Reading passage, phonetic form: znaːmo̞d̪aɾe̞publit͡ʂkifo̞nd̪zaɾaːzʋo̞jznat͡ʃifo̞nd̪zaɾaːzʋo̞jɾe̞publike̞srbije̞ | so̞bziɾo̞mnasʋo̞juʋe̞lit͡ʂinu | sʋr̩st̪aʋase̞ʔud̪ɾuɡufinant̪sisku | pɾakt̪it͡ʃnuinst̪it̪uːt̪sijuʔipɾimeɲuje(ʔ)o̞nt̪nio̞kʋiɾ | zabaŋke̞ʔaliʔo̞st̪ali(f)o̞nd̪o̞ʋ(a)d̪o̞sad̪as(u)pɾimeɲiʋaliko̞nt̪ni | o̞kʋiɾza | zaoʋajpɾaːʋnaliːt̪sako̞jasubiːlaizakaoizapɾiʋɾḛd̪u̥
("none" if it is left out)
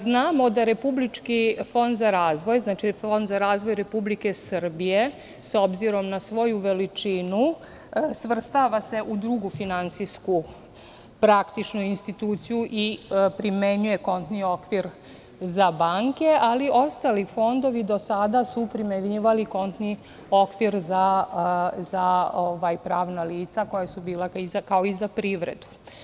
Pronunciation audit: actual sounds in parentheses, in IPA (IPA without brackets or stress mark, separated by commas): k, f, i, u